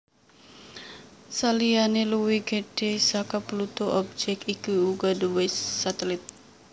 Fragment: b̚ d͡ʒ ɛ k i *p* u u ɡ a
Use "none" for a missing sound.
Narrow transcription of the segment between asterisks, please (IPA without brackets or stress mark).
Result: k